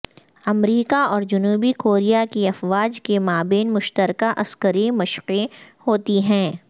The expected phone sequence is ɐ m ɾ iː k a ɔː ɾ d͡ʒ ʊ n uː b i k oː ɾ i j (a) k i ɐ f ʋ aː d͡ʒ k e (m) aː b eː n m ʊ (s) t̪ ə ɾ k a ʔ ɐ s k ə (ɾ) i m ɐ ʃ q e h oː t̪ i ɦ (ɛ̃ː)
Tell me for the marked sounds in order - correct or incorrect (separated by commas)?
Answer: correct, correct, incorrect, correct, correct